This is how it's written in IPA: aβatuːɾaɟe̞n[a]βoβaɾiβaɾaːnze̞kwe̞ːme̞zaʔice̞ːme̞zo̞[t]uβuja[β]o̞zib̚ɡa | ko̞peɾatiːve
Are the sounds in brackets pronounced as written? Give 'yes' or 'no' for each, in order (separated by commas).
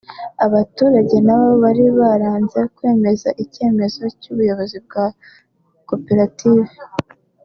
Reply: yes, no, yes